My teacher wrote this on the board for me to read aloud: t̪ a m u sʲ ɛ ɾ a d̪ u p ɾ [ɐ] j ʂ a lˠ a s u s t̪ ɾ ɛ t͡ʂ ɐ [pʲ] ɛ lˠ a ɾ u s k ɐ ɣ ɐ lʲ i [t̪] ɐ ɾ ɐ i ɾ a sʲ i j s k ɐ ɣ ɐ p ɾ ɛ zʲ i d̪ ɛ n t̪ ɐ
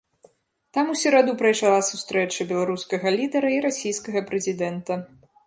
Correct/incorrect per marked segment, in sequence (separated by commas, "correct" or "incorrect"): correct, incorrect, incorrect